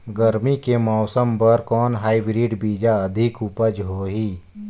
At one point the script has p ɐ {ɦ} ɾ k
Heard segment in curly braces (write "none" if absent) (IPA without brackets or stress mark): none